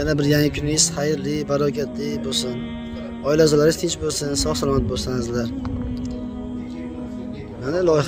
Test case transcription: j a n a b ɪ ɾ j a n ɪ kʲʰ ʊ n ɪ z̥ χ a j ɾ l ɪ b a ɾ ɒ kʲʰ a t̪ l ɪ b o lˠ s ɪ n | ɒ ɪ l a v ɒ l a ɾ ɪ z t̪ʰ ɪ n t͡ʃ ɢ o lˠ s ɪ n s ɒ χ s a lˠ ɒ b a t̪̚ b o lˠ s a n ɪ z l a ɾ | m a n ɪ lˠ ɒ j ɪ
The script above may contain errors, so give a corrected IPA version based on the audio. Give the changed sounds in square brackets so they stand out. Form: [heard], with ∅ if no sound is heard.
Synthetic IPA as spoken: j a n a b ɪ ɾ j a [ŋ] ɪ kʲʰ ʊ n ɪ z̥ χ a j ɾ l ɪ b a ɾ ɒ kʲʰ a t̪ l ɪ b o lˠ s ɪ n | ɒ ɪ l a [z] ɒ l a ɾ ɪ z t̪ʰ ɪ n t͡ʃ [b] o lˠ s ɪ n s ɒ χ s a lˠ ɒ [m] a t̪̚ b o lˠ s a n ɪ z l a ɾ | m a n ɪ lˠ ɒ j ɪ